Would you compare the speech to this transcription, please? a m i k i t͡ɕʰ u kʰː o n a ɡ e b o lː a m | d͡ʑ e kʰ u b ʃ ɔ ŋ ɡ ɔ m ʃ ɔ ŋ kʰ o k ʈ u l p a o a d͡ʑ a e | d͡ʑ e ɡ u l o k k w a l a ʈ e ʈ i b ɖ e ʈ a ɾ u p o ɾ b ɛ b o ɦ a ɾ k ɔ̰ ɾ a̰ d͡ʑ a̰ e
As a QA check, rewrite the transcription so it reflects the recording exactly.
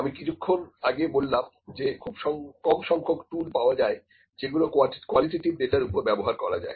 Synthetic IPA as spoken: a m i k i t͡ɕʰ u kʰː o n a ɡ e b o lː a m | d͡ʑ e kʰ u b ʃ ɔ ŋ k ɔ m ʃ ɔ ŋ kʰ o k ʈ u l p a o a d͡ʑ a e | d͡ʑ e ɡ u l o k k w a l i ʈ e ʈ i b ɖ e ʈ a ɾ u p o ɾ b ɛ b o ɦ a ɾ k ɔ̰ ɾ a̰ d͡ʑ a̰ e